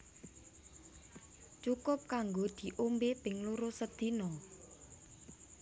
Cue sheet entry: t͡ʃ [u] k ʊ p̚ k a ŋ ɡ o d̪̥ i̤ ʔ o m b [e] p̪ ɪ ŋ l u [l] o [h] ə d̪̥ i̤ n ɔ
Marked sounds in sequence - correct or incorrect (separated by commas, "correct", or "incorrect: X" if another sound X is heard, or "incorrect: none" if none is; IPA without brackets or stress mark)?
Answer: correct, correct, incorrect: ɾ, incorrect: s